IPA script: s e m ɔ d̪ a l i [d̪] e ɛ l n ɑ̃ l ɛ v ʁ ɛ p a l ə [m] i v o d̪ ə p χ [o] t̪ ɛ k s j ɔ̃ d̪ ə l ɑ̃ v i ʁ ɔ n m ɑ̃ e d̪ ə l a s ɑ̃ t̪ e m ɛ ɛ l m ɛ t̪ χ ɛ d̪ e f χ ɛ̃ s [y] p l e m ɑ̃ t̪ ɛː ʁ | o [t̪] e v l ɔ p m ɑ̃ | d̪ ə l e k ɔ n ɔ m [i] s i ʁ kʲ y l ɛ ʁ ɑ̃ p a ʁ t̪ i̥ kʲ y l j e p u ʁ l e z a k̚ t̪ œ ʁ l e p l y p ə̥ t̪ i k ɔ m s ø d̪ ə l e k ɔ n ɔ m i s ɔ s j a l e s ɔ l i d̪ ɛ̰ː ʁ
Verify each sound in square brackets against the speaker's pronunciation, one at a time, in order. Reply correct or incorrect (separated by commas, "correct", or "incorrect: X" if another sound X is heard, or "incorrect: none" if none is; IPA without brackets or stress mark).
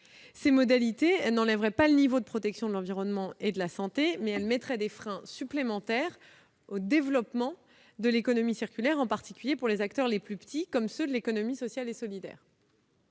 incorrect: t̪, incorrect: n, incorrect: ɔ, correct, incorrect: d̪, correct